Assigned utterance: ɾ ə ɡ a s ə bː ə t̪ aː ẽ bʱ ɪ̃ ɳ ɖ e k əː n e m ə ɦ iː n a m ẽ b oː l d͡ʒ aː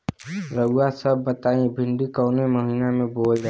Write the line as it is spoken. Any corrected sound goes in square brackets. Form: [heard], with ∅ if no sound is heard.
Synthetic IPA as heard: ɾ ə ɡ a s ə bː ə t̪ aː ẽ bʱ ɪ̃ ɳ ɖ [i] k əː n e m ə ɦ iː n a m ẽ b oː l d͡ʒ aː